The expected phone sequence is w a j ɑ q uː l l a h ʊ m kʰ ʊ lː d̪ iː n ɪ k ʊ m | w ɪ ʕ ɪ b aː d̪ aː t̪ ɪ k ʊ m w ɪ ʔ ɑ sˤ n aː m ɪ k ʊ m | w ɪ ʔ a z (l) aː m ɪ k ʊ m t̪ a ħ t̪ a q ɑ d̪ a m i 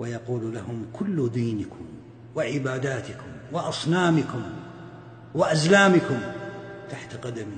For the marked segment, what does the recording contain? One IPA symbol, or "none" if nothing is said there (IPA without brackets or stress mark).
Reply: l